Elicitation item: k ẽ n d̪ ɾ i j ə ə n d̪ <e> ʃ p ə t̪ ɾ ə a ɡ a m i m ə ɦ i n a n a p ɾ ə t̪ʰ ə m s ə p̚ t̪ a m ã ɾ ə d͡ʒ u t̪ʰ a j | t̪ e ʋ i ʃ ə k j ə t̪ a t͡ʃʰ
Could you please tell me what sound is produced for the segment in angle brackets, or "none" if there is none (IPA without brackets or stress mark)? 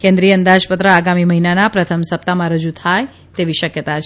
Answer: a